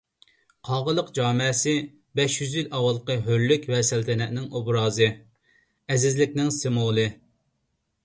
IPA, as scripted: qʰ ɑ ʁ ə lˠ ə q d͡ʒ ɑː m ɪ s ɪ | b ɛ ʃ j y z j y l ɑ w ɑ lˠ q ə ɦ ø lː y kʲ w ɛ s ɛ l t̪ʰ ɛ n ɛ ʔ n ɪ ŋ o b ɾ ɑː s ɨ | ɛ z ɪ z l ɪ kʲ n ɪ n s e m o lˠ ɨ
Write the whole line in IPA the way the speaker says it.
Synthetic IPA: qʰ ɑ ʁ ə lˠ ə q d͡ʒ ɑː m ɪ s ɪ | b ɛ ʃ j y z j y l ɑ w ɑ lˠ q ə ɦ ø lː y kʲ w ɛ s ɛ l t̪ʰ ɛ n ɛ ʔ n ɪ ŋ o b ɾ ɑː z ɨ | ɛ z ɪ z l ɪ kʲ n ɪ ŋ s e m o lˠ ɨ